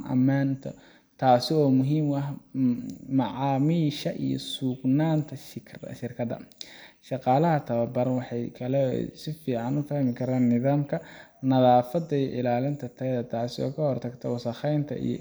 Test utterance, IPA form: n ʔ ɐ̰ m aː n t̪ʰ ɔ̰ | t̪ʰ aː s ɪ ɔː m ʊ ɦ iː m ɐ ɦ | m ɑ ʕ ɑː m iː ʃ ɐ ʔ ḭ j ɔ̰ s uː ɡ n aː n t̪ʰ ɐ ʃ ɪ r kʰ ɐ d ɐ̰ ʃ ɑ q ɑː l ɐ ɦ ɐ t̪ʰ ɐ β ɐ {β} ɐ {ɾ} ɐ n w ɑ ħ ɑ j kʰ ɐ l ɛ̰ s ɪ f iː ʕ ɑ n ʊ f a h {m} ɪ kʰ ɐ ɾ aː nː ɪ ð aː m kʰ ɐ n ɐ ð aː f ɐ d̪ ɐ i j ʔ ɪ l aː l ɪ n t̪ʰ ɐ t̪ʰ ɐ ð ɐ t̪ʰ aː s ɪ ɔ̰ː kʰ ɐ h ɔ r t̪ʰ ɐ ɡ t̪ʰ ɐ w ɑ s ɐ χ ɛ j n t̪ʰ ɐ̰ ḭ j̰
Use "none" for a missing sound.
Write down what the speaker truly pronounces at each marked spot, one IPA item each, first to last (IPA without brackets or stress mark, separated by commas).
b, ɾ, m